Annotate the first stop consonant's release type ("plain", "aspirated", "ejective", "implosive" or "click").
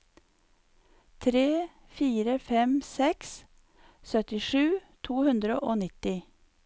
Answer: aspirated